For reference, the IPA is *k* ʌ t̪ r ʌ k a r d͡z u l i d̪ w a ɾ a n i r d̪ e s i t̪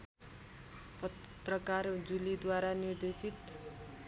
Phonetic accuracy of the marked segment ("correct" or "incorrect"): incorrect